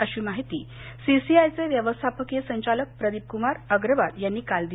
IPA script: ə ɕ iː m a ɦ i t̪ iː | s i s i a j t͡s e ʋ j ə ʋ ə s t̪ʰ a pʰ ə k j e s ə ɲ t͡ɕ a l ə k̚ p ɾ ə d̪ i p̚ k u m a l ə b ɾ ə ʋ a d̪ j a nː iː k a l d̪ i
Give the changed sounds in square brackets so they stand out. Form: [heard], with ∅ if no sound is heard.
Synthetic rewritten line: ə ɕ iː m a ɦ i t̪ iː | s i s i a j t͡s e ʋ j ə ʋ ə s t̪ʰ a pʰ ə k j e s ə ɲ t͡ɕ a l ə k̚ p ɾ ə d̪ i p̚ k u m a [ɾ] ə [ɡ] ɾ ə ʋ a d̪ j a nː iː k a l d̪ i